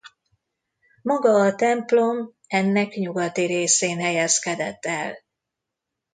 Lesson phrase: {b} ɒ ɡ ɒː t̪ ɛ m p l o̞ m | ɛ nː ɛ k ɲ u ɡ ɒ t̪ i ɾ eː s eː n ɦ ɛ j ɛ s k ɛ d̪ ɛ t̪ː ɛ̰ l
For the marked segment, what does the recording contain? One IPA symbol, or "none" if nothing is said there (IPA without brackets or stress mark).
m